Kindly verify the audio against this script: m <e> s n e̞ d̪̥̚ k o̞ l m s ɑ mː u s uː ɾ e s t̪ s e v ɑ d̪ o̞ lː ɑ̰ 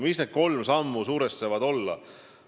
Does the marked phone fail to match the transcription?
yes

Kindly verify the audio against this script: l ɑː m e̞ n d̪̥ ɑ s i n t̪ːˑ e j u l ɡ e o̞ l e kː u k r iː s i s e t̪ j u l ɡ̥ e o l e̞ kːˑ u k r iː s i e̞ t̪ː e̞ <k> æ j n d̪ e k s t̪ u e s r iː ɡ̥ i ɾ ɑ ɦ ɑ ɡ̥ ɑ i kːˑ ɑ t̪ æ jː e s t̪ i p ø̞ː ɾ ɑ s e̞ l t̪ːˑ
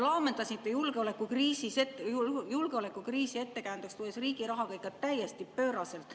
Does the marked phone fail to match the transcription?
no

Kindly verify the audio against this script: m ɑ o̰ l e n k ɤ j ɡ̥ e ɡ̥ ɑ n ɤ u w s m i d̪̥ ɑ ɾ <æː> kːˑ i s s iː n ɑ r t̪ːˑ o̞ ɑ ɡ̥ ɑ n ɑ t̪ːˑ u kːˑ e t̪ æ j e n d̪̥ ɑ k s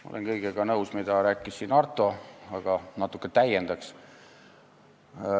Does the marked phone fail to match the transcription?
no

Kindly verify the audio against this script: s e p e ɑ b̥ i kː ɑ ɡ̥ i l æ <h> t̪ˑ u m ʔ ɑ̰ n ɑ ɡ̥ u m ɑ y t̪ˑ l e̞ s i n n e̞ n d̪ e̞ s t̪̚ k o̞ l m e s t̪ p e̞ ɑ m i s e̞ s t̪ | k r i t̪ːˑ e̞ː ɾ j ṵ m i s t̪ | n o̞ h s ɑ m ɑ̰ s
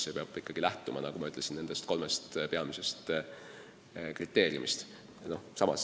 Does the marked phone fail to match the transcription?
no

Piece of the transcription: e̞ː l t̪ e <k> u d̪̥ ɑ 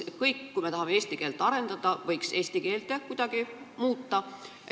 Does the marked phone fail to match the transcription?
no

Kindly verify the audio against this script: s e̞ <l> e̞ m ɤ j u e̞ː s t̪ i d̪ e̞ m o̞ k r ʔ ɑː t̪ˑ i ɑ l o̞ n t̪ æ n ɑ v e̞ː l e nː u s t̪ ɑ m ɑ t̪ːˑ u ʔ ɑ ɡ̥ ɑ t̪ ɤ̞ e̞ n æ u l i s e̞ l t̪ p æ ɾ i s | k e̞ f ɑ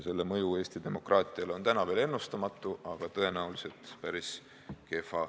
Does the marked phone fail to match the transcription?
yes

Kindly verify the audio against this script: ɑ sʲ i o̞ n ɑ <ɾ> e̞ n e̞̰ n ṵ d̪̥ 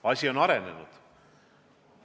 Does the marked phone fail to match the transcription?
no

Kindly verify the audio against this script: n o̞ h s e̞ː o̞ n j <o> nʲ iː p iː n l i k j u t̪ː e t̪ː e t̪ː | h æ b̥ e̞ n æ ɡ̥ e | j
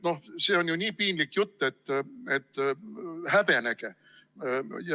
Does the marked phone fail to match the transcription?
yes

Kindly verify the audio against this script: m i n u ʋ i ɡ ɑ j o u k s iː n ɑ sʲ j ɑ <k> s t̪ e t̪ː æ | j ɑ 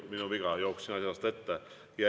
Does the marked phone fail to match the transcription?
yes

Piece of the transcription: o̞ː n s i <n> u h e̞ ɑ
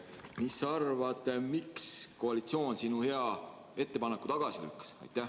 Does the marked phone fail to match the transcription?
no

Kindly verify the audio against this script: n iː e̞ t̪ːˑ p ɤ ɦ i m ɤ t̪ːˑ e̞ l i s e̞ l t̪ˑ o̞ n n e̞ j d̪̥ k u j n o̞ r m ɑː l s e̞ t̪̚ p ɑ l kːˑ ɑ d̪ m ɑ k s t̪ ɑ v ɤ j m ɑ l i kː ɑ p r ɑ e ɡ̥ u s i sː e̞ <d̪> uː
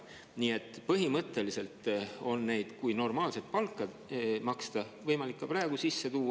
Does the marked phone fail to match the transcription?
yes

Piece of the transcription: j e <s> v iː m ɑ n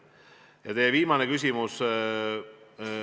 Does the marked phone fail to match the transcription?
yes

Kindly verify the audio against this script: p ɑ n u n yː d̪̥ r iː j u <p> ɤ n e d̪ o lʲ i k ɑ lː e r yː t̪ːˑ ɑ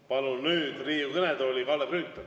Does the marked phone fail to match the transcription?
yes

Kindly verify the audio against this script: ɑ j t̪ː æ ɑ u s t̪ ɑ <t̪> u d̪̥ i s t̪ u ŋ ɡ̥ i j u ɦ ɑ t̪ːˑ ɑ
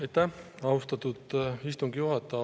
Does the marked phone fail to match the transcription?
no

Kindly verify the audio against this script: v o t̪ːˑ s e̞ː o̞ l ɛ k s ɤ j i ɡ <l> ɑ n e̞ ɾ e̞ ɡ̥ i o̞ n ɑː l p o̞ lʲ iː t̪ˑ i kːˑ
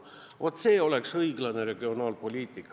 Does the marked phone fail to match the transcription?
no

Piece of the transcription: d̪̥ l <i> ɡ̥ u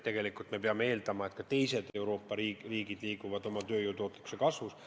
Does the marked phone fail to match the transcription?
yes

